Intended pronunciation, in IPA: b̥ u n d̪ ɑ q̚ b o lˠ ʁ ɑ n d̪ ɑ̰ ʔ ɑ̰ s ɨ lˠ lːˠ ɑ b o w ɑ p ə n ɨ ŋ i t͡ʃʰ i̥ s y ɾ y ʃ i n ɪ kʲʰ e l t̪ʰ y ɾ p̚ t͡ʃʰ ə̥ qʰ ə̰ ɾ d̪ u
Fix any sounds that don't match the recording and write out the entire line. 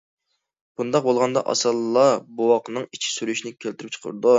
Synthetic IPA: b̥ u n d̪ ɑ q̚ b o lˠ ʁ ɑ n d̪ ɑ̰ ʔ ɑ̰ s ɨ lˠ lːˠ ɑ b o w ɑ q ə n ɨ ŋ i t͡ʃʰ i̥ s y ɾ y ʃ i n ɪ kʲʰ e l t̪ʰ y ɾ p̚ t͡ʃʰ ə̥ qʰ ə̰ ɾ d̪ u